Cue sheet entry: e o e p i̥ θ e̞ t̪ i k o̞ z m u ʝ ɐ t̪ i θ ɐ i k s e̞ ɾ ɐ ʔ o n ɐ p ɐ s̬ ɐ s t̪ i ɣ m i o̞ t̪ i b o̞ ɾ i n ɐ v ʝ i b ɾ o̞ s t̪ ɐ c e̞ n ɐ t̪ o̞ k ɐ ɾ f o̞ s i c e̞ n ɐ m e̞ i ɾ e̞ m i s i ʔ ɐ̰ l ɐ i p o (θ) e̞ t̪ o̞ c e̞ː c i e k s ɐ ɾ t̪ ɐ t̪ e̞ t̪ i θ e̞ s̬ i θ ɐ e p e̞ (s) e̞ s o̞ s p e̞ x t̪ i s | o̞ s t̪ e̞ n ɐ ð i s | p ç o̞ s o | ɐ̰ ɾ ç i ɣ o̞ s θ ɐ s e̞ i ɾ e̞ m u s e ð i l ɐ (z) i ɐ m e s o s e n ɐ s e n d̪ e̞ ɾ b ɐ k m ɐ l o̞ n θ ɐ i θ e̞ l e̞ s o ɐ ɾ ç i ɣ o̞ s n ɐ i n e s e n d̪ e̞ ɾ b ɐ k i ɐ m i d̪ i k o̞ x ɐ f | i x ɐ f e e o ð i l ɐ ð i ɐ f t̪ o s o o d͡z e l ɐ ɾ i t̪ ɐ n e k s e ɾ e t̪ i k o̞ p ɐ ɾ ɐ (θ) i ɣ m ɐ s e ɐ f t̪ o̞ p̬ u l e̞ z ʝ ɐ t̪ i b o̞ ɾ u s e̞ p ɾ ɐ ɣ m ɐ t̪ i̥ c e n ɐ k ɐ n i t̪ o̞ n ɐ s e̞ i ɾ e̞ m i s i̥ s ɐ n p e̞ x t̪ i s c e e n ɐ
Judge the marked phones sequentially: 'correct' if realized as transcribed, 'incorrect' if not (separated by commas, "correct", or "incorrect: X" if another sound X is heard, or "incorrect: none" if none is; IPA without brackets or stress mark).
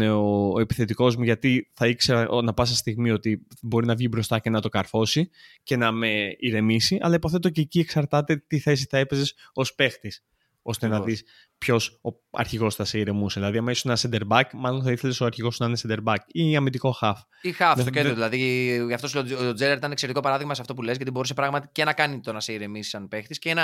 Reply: correct, incorrect: z, incorrect: ð, incorrect: ð